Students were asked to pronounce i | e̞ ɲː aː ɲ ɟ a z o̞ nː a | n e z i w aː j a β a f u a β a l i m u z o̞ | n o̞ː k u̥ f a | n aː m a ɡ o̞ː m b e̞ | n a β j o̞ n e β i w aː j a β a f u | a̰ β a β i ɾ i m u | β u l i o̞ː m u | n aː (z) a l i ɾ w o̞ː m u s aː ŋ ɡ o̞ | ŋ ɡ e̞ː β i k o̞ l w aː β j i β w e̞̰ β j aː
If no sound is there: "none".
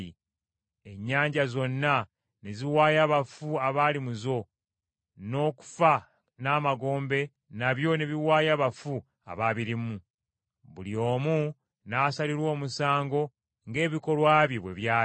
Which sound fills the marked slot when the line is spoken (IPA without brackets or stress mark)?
s